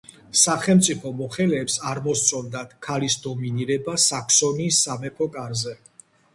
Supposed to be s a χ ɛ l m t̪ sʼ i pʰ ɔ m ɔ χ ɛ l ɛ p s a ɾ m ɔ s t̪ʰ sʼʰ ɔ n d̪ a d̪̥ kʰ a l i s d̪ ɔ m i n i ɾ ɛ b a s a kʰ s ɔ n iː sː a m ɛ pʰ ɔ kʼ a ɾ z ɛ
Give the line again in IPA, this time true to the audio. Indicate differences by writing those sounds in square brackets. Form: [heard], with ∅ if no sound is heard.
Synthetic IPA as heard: s a χ ɛ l m t̪ sʼ i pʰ ɔ m ɔ χ ɛ l [ɛː] p s a ɾ m ɔ s [t̪] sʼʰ ɔ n d̪ a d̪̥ kʰ a l i s d̪ ɔ m i n i ɾ ɛ b a s a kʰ s ɔ n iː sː a m ɛ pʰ ɔ kʼ a ɾ z ɛ